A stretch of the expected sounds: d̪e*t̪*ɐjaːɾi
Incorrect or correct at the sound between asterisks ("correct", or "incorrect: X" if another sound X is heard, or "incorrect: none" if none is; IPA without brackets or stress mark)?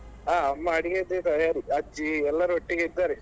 correct